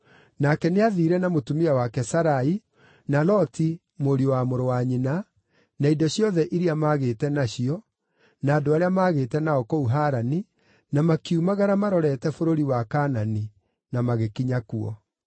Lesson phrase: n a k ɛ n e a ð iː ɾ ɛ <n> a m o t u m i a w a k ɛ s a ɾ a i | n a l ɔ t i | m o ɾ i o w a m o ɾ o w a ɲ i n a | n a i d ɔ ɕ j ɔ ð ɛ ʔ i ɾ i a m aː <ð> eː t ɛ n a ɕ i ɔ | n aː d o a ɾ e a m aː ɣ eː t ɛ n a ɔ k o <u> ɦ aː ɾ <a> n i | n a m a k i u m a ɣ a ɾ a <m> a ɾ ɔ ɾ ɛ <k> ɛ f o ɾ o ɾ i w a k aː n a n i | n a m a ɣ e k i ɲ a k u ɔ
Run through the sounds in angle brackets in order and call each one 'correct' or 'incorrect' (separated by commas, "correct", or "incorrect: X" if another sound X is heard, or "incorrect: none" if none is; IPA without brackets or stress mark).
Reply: correct, incorrect: ɣ, correct, correct, correct, incorrect: t